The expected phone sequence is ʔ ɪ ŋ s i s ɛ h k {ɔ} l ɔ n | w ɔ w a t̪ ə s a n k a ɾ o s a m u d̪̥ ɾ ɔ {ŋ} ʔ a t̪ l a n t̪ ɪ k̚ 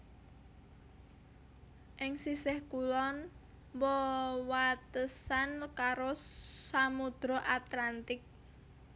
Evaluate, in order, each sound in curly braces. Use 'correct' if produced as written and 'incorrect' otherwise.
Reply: incorrect: u, incorrect: none

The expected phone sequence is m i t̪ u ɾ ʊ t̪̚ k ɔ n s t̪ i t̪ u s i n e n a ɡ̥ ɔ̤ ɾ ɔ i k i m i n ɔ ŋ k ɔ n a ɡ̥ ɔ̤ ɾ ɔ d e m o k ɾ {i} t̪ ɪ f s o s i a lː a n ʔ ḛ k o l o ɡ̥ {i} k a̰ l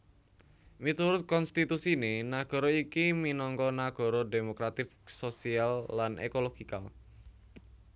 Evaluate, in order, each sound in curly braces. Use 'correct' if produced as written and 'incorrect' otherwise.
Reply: incorrect: a, correct

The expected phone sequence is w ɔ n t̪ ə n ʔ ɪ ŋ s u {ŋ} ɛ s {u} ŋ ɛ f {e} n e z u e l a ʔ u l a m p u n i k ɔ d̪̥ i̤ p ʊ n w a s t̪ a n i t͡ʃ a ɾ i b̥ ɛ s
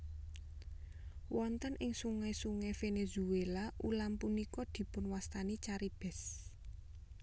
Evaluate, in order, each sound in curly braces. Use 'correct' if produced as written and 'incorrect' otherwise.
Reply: correct, correct, correct

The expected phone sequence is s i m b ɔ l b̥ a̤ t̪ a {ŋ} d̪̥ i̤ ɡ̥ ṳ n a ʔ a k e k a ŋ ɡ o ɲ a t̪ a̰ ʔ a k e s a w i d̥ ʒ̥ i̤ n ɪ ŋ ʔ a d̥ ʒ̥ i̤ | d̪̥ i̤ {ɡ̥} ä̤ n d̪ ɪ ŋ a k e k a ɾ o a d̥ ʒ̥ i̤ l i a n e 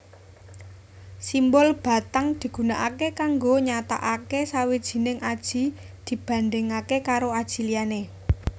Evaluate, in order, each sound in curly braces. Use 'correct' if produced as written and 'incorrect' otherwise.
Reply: correct, incorrect: b̥

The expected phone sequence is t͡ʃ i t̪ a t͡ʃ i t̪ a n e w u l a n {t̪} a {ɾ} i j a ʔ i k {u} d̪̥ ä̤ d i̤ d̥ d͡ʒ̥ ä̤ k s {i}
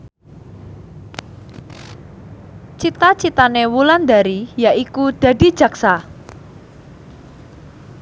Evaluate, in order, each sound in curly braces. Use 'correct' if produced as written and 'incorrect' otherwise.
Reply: incorrect: d̪, correct, correct, incorrect: a

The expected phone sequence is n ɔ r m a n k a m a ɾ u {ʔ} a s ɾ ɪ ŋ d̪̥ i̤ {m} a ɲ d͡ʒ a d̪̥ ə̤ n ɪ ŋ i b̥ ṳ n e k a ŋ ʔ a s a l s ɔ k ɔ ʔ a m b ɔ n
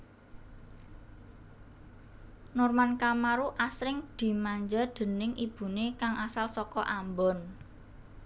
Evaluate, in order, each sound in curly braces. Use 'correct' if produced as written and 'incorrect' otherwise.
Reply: correct, correct

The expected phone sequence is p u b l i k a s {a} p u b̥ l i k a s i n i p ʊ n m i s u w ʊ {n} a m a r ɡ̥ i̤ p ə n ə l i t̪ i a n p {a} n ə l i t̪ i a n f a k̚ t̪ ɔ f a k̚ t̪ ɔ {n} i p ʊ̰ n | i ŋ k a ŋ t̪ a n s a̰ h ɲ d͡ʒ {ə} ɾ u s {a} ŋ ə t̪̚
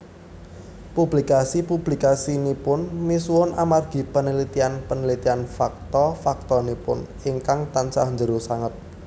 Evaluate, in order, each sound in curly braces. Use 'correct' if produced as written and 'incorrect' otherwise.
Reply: incorrect: i, correct, incorrect: ə, correct, correct, correct

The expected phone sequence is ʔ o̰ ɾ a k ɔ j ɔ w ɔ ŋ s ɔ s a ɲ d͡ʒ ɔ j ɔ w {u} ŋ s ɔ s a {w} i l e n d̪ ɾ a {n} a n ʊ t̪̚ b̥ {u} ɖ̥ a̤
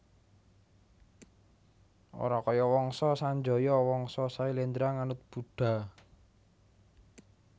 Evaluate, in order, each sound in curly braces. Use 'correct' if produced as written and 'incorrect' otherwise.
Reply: incorrect: ɔ, incorrect: none, incorrect: ŋ, correct

